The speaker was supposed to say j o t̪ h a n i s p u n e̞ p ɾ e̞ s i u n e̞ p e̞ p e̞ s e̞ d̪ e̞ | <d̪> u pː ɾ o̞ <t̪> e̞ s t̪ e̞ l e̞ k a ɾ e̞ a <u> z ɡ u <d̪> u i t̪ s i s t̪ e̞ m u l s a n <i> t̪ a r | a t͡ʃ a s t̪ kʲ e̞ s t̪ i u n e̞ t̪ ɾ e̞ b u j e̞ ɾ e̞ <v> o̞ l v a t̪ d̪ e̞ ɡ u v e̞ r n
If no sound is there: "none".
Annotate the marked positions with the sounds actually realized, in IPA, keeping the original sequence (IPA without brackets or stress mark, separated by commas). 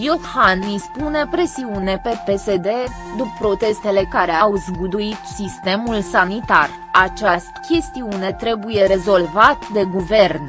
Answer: d̪, t̪, w, d̪, i, z